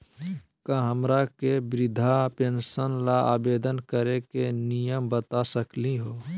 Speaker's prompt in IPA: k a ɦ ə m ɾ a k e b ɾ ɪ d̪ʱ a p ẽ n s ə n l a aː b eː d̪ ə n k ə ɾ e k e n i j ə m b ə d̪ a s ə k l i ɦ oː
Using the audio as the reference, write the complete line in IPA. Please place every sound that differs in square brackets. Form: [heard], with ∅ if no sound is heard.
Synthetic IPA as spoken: k a ɦ ə m ɾ a k e b ɾ ɪ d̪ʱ a p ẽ n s ə n l a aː b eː d̪ ə n k ə ɾ e k e n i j ə m b ə [t̪] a s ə k l i ɦ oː